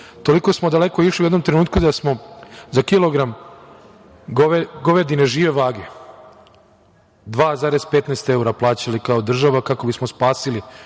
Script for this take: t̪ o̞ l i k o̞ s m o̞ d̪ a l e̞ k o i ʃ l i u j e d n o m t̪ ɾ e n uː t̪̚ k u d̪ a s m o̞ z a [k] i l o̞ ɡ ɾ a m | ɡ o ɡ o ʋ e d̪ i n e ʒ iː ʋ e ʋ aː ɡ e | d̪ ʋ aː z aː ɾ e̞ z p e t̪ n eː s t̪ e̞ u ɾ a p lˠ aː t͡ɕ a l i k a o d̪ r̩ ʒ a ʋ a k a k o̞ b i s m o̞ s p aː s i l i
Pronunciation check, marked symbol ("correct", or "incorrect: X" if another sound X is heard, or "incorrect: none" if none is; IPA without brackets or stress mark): correct